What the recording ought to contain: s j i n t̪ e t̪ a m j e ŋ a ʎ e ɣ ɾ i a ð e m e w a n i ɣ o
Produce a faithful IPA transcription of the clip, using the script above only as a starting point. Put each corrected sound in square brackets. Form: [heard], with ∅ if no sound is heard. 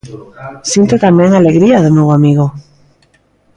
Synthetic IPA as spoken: s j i n t̪ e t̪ a m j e ŋ a [l] e ɣ ɾ i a ð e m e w a [m] i ɣ o